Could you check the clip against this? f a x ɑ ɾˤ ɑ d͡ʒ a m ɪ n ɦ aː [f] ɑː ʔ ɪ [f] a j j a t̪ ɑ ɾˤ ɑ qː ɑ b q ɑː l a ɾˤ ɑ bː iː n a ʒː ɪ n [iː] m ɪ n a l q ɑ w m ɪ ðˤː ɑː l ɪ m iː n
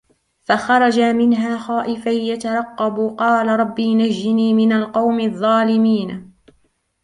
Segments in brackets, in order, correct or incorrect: incorrect: x, correct, correct

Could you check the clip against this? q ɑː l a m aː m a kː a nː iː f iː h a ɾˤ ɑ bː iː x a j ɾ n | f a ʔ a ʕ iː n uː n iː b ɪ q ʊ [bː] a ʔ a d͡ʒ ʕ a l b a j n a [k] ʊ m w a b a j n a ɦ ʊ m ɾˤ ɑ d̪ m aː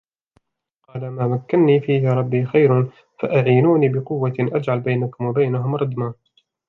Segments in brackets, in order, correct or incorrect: incorrect: wː, correct

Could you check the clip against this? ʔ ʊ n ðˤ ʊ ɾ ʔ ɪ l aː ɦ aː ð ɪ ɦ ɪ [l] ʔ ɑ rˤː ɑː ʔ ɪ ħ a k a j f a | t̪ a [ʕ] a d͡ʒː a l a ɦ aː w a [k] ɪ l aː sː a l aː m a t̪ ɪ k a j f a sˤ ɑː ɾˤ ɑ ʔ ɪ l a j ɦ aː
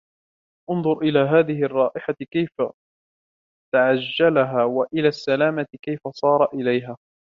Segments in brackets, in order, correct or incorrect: incorrect: none, correct, incorrect: ʔ

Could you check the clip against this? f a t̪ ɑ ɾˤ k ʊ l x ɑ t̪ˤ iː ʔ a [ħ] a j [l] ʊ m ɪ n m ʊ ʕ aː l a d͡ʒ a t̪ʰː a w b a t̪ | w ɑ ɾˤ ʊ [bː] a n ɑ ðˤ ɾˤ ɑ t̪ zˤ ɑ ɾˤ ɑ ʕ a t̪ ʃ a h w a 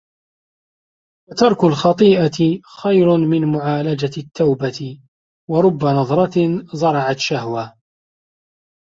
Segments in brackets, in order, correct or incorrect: incorrect: x, incorrect: ɾ, correct

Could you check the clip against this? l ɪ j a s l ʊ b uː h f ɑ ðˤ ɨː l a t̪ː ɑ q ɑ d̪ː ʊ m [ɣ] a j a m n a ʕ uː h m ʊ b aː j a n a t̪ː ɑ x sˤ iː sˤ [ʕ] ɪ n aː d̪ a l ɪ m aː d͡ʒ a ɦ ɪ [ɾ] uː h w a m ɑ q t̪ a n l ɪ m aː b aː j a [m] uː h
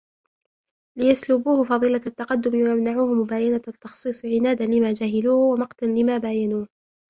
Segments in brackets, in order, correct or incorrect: incorrect: w, correct, incorrect: l, incorrect: n

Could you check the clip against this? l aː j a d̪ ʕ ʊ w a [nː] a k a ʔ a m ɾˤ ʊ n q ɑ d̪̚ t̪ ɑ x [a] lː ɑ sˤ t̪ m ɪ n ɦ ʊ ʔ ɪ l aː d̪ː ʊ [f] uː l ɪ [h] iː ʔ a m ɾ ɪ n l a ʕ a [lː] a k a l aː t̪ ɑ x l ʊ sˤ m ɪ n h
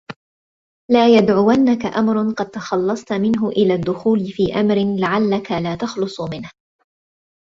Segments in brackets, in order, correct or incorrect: correct, incorrect: ɑ, incorrect: x, incorrect: f, correct

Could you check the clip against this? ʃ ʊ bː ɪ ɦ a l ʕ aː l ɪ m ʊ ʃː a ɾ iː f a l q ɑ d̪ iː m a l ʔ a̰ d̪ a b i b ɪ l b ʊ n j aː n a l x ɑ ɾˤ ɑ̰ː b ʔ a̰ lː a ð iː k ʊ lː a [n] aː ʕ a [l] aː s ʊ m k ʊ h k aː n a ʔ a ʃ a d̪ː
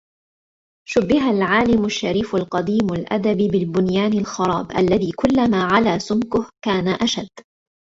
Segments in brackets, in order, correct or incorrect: incorrect: m, correct

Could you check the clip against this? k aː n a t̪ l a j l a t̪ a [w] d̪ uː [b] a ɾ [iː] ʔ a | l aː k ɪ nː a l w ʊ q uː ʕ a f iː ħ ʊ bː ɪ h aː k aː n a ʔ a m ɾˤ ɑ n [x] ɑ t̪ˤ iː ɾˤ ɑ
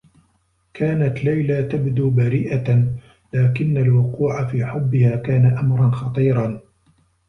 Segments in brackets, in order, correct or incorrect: incorrect: b, correct, correct, correct

